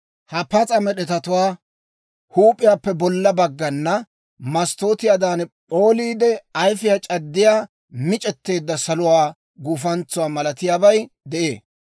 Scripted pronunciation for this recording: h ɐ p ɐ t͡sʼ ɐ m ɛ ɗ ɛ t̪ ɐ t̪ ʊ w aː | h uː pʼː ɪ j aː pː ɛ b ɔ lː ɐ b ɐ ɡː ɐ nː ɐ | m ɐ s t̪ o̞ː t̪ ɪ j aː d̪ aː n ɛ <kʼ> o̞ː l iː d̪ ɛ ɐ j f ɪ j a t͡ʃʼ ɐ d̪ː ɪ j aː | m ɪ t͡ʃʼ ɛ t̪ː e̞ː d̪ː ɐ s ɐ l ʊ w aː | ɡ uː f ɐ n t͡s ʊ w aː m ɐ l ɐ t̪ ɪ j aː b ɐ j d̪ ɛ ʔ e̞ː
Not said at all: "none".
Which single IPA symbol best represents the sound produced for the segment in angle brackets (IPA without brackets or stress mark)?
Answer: pʼ